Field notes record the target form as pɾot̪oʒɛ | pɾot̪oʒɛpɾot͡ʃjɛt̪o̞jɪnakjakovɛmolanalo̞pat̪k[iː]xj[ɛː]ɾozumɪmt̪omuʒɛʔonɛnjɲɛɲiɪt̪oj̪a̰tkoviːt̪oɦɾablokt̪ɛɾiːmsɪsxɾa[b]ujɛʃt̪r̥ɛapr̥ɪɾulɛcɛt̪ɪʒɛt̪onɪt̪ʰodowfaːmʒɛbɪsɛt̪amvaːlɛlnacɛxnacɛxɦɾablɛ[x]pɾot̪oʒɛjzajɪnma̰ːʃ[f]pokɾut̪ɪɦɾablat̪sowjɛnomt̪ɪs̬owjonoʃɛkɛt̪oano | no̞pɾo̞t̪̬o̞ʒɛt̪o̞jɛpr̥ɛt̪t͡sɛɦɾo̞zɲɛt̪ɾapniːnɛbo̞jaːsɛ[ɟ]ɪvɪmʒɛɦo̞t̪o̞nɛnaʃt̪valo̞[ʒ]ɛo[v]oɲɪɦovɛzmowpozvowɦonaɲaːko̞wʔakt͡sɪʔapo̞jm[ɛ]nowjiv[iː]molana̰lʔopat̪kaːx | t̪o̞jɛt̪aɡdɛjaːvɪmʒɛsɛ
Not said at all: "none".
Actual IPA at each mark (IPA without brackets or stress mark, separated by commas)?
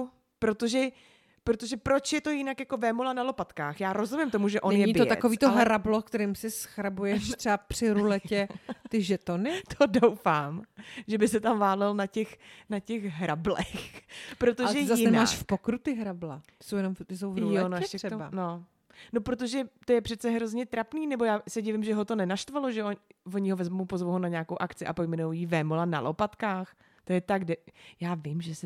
aː, aː, b, x, f, ɟ, ʒ, v, ɛ, ɛː